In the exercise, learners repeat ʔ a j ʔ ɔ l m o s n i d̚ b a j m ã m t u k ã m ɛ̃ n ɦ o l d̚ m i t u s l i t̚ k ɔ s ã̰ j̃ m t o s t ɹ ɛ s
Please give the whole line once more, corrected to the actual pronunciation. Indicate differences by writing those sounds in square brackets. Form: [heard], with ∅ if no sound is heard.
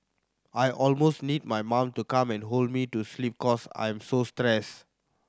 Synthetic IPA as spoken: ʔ a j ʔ ɔ l m o s n i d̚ [m] a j m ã m t u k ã m ɛ̃ n ɦ o l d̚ m i t u s l i [p̚] k ɔ s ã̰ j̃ m [s] o s t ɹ ɛ s